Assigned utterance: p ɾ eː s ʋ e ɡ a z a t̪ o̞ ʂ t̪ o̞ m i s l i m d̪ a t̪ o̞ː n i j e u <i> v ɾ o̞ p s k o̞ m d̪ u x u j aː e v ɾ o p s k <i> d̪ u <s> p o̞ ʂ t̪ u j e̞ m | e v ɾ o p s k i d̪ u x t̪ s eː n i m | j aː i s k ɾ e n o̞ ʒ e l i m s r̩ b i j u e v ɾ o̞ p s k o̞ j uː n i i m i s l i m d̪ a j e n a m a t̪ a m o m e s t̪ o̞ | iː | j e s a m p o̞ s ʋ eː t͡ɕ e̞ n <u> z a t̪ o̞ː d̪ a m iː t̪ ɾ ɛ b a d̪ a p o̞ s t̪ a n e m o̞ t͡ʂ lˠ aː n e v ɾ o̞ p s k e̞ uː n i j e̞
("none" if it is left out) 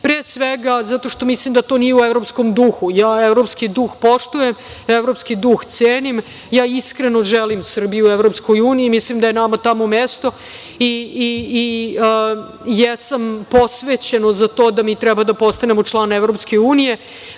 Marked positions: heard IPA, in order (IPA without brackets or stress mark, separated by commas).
e, i, x, o